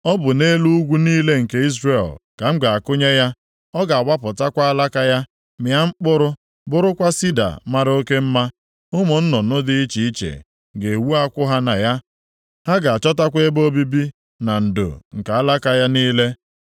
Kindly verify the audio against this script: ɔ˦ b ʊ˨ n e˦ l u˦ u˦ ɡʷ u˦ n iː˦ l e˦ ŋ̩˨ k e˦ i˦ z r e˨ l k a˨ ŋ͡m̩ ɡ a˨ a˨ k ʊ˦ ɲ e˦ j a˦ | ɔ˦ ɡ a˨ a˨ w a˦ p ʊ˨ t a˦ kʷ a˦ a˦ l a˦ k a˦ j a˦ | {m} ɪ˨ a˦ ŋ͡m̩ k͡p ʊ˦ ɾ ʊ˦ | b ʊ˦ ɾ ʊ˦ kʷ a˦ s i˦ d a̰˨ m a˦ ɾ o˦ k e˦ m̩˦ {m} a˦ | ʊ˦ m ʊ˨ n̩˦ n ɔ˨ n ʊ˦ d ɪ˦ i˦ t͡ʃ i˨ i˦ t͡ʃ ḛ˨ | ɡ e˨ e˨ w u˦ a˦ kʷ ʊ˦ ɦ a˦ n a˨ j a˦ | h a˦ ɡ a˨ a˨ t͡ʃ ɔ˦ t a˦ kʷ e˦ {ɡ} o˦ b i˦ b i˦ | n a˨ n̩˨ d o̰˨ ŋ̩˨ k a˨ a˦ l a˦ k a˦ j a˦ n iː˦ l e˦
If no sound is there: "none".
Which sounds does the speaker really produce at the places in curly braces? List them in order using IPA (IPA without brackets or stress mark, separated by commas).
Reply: m, m, b